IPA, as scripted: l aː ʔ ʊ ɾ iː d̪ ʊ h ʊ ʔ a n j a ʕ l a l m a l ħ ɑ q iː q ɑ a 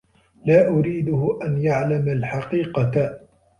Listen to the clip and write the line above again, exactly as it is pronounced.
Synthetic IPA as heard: l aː ʔ ʊ ɾ iː d̪ ʊ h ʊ ʔ a n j a ʕ l a m a l ħ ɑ q iː q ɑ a